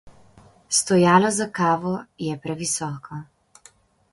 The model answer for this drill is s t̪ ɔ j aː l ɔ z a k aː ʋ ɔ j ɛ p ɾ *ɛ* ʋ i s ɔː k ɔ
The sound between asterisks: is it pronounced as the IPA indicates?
yes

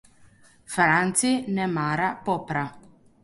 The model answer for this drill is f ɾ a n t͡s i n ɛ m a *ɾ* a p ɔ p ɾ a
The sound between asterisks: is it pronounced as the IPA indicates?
yes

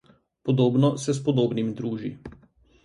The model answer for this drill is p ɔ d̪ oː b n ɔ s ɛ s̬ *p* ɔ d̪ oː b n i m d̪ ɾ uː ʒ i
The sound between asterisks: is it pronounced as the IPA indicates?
yes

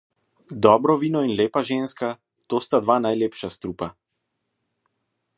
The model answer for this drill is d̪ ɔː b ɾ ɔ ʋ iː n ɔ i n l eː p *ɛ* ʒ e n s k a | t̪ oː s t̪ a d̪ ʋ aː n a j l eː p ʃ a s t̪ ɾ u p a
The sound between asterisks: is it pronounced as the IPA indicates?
no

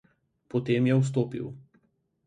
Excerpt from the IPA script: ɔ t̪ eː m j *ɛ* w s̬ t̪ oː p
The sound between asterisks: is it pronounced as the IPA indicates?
yes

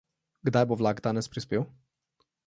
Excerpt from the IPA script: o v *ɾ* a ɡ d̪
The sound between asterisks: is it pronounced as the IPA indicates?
no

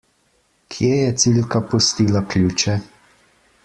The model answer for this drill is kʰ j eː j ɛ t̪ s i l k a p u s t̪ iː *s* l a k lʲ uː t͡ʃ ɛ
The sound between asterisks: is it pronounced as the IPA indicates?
no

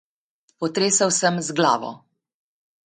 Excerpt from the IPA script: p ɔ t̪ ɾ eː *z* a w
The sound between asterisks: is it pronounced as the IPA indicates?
no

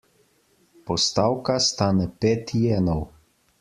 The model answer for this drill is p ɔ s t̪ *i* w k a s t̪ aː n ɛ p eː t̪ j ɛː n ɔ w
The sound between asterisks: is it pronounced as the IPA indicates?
no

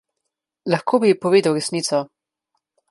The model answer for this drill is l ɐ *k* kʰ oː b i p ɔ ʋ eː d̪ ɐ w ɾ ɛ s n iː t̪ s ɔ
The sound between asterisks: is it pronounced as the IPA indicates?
no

